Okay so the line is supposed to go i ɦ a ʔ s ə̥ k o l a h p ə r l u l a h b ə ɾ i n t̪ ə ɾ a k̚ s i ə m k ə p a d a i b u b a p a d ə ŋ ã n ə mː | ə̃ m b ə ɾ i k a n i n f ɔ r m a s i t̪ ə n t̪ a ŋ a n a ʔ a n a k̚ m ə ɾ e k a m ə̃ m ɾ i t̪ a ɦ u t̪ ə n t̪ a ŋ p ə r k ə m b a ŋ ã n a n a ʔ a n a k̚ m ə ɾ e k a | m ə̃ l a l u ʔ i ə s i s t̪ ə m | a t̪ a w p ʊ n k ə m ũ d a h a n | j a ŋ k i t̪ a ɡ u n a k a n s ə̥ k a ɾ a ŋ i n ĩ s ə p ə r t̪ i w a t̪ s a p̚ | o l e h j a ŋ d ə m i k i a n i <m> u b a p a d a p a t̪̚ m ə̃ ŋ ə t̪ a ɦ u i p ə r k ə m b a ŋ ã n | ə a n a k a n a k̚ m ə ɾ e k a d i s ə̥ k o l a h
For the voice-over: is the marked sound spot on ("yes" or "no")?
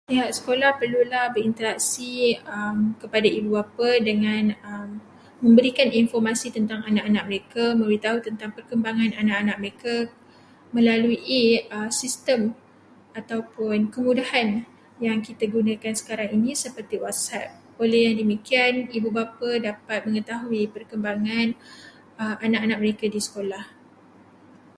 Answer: no